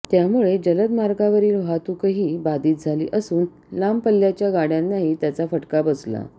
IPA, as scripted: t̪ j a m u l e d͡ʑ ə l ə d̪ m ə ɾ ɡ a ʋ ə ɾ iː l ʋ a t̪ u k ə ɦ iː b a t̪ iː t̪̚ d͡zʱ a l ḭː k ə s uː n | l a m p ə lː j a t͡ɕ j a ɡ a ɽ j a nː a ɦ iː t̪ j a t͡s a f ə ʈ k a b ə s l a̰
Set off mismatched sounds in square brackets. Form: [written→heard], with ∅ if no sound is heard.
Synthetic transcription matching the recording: t̪ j a m u [l→ɭ] e d͡ʑ ə l ə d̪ m [ə→a] ɾ ɡ a ʋ ə ɾ iː l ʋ a t̪ u k ə ɦ iː b a [t̪→d̪] iː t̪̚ d͡zʱ a l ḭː [k→ʔ] ə s uː n | l a m p ə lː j a t͡ɕ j a ɡ a ɽ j a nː a ɦ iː t̪ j a t͡s a f ə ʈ k a b ə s l a̰

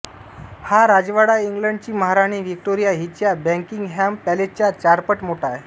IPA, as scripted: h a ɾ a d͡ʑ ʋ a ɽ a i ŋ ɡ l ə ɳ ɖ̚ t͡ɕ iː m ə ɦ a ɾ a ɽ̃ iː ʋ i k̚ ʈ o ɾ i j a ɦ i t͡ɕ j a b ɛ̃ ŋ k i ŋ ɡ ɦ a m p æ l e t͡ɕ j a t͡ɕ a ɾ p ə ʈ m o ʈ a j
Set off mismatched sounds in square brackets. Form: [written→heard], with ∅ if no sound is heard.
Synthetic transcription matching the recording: h a ɾ a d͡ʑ ʋ a ɽ a i ŋ ɡ l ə ɳ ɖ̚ t͡ɕ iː m ə ɦ a ɾ a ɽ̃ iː ʋ i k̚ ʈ o ɾ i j a ɦ i t͡ɕ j a b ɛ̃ ŋ k i ŋ ɡ ɦ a m p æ l e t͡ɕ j a t͡ɕ a ɾ p ə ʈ m o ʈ a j

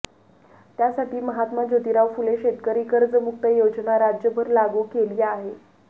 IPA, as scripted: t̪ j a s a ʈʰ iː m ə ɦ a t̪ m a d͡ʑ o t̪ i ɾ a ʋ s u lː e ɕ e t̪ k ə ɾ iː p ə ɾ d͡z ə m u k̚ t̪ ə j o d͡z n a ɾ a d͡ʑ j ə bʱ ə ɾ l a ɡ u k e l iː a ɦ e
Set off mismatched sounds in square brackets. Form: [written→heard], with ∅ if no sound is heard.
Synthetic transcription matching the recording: t̪ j a s a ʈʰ iː m ə ɦ a t̪ m a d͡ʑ o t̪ i ɾ a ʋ [s→f] u [lː→l] e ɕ e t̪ k ə ɾ iː [p→k] ə ɾ d͡z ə m u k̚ t̪ ə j o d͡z n a ɾ a d͡ʑ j ə bʱ ə ɾ l a ɡ u k e l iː a ɦ e

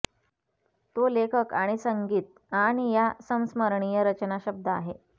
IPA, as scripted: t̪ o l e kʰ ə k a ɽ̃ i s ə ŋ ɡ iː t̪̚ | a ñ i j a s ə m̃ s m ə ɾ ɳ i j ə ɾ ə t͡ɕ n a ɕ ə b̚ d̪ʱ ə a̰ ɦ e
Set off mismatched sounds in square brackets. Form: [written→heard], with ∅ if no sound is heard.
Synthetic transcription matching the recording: t̪ o l e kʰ ə k a ɽ̃ i s ə ŋ ɡ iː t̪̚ | a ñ i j a s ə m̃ s m ə ɾ ɳ i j ə ɾ ə t͡ɕ n a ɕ ə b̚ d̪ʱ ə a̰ ɦ e

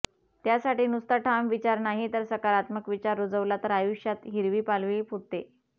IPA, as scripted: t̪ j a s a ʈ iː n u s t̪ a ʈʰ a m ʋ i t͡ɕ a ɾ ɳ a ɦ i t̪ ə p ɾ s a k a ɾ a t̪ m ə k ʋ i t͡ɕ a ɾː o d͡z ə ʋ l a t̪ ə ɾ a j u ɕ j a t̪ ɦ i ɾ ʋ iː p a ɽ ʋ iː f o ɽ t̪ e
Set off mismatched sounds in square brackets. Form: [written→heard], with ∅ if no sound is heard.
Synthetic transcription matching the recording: t̪ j a s a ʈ iː n u s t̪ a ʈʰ a m ʋ i t͡ɕ a ɾ [ɳ→n] a ɦ i t̪ ə [p→∅] ɾ s [a→ə] k a ɾ a t̪ m ə k ʋ i t͡ɕ a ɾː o d͡z ə ʋ l a t̪ ə ɾ a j u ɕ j a t̪ ɦ i ɾ ʋ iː p a [ɽ→l] ʋ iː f [o→u] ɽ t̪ e

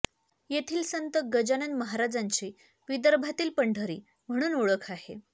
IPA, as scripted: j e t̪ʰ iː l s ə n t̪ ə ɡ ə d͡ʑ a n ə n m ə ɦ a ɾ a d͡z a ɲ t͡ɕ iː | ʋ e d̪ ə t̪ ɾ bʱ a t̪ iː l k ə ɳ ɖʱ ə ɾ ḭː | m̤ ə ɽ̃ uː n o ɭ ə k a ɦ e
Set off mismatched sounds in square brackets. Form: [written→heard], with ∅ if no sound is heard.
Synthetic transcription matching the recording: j e t̪ʰ iː l s ə n t̪ ə ɡ ə d͡ʑ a n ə n m ə ɦ a ɾ a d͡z a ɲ t͡ɕ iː | ʋ [e→i] d̪ ə [t̪→∅] ɾ bʱ a t̪ iː l [k→p] ə ɳ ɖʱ ə ɾ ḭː | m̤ ə ɽ̃ uː n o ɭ ə [k→kʰ] a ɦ e

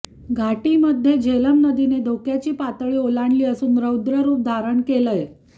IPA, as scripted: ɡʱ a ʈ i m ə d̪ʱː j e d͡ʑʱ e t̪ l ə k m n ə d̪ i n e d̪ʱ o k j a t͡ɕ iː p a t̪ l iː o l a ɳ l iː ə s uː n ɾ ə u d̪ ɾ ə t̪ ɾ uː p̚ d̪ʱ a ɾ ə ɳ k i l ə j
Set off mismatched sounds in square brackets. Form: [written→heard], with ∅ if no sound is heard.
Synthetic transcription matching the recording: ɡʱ a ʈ i m ə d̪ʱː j e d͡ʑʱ e [t̪→∅] l ə [k→∅] m n ə d̪ i n e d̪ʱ o k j a t͡ɕ iː p a t̪ [l→ɭ] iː o l a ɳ l iː ə s uː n ɾ ə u d̪ ɾ ə [t̪→∅] ɾ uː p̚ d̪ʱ a ɾ ə ɳ k [i→e] l ə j

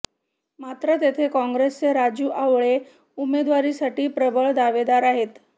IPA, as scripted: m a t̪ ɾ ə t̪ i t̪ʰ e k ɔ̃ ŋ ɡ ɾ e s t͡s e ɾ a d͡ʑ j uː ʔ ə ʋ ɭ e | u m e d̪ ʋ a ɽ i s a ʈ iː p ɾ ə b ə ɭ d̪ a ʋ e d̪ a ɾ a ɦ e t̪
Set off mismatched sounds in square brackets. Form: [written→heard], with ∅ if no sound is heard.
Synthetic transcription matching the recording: m a t̪ ɾ ə t̪ [i→e] t̪ʰ e k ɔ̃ ŋ ɡ ɾ e s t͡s e ɾ a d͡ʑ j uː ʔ [ə→a] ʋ ɭ e | u m e d̪ ʋ a [ɽ→ɾ] i s a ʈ iː p ɾ ə b ə ɭ d̪ a ʋ e d̪ a ɾ a ɦ e t̪

